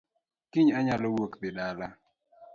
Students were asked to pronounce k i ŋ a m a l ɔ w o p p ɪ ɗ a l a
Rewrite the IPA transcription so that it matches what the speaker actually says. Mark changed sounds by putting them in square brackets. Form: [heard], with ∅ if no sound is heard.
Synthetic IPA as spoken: k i [ɲ] a [ɲ] a l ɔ w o [k] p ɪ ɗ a l a